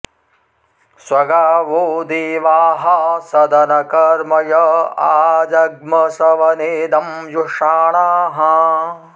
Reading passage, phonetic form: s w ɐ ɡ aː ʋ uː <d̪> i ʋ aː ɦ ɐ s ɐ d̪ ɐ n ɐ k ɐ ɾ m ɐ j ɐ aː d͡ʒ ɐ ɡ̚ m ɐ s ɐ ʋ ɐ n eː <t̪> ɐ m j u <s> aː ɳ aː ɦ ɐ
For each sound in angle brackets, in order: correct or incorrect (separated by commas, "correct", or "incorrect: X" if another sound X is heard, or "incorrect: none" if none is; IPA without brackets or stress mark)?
correct, incorrect: d̪, incorrect: ʂ